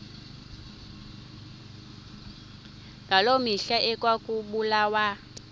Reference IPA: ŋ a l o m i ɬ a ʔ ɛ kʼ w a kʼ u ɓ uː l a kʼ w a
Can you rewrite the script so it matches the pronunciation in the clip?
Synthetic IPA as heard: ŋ a l o m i ɬ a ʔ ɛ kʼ w a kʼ u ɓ u l a w a